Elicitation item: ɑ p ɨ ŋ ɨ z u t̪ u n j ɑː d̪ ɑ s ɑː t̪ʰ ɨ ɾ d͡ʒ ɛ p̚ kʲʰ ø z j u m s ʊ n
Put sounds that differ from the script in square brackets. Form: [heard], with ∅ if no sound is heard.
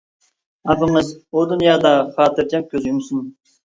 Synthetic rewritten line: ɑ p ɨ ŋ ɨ z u [d̪] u n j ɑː d̪ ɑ [χ] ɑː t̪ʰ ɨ ɾ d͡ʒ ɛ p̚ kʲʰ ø z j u m s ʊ n